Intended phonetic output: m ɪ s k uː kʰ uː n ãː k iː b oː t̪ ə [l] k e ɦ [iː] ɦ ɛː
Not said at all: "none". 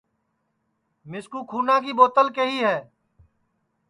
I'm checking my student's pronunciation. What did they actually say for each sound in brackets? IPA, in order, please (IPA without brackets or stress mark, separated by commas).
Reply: l, iː